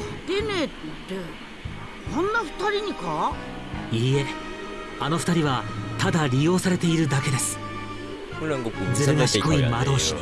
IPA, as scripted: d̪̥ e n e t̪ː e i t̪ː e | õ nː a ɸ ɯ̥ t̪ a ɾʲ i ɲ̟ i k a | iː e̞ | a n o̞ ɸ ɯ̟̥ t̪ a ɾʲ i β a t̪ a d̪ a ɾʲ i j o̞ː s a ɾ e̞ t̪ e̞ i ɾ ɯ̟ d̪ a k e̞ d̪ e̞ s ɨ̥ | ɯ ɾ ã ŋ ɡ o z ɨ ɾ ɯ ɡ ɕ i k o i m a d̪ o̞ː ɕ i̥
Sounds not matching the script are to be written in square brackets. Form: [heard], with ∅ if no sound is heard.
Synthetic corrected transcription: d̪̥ e n e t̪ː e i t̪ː e | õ nː a ɸ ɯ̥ t̪ a ɾʲ i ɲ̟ i k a | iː e̞ | a n o̞ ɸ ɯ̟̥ t̪ a ɾʲ i β a t̪ a d̪ a ɾʲ i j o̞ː s a ɾ e̞ t̪ e̞ i ɾ ɯ̟ d̪ a k e̞ d̪ e̞ s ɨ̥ | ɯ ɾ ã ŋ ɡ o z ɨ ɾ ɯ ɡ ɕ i k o i m a d̪ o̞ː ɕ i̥